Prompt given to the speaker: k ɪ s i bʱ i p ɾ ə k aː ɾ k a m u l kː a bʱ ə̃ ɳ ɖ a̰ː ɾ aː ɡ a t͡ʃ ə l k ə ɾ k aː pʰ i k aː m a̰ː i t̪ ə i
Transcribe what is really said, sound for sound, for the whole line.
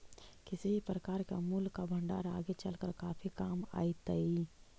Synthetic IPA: k ɪ s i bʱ i p ɾ ə k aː ɾ k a m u l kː a bʱ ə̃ ɳ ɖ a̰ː ɾ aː ɡ e t͡ʃ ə l k ə ɾ k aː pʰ i k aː m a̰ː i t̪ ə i